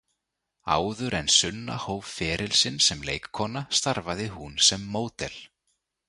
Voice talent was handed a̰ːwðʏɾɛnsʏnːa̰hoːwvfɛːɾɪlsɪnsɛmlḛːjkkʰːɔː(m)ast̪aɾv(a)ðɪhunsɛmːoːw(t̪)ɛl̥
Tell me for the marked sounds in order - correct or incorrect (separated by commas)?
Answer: incorrect, correct, correct